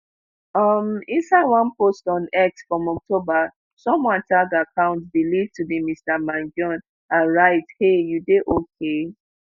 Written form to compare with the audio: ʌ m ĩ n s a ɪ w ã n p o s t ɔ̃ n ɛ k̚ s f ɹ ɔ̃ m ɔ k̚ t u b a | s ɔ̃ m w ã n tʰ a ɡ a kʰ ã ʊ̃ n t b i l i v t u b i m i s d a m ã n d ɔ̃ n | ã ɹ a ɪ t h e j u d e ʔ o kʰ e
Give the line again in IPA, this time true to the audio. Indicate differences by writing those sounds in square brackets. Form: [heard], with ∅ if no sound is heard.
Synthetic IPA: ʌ m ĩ n s a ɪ w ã n p o s t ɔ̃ n ɛ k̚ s f ɹ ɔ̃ m ɔ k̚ t [o] b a | s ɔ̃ m w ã n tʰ a ɡ a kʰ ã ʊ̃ n t b i l i v t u b i m i s [t] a m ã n [d͡ʒ] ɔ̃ n | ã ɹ a ɪ t h e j u d e ʔ o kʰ e